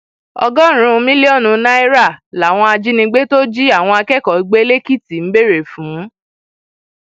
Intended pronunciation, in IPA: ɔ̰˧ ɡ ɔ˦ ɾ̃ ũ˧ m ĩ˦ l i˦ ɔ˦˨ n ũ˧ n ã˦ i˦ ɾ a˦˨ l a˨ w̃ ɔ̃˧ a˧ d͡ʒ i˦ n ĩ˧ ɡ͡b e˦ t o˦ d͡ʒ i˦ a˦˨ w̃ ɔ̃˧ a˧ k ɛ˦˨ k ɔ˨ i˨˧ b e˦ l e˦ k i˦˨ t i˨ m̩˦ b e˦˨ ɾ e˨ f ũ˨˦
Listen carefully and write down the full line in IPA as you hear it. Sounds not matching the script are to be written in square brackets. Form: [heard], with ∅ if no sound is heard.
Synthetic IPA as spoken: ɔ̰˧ ɡ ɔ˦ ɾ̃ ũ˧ m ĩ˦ l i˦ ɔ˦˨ n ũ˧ n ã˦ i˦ ɾ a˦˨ l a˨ w̃ ɔ̃˧ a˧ d͡ʒ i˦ n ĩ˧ ɡ͡b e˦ t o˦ d͡ʒ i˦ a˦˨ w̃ ɔ̃˧ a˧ k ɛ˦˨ k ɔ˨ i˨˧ [ɡ͡b] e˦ l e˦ k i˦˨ t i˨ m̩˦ b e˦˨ ɾ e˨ f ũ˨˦